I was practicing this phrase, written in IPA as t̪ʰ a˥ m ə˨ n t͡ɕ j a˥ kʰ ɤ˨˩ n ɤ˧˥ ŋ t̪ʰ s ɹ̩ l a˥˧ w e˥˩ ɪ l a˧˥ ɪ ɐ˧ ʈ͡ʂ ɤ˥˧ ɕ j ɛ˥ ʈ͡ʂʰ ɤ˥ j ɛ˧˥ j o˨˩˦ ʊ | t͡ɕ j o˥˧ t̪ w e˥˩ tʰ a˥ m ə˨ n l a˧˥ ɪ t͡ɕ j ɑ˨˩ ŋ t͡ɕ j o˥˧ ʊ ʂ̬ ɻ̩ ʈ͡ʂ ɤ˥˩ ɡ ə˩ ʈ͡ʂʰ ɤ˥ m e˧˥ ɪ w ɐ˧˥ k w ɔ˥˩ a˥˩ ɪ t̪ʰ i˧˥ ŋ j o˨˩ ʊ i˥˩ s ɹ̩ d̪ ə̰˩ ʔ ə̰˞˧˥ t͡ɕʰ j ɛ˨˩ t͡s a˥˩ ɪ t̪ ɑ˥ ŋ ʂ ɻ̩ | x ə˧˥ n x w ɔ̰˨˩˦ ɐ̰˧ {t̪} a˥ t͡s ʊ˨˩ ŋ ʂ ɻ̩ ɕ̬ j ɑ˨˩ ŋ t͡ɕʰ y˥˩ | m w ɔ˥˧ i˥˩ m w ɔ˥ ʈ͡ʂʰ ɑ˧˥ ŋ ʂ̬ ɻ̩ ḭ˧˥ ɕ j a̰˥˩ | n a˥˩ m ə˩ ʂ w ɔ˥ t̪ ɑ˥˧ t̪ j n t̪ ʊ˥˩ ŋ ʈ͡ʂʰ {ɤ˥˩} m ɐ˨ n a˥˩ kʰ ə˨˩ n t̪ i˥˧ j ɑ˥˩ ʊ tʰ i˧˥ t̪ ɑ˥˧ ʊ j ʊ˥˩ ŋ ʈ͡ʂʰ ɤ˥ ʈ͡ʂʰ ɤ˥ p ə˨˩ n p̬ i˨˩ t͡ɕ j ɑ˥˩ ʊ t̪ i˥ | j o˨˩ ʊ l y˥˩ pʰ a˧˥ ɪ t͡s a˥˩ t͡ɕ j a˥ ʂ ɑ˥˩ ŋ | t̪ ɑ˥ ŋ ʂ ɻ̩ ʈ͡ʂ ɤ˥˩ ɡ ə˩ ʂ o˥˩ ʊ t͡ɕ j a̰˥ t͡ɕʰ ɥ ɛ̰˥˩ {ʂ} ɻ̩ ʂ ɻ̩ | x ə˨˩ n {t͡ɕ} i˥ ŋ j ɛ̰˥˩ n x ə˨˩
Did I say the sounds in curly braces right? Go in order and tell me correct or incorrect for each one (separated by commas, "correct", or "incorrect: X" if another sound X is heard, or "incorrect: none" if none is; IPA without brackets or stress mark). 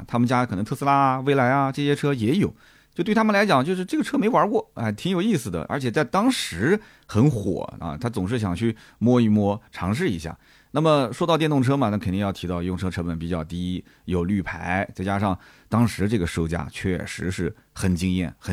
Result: incorrect: t̪ʰ, incorrect: ɤ˥, correct, correct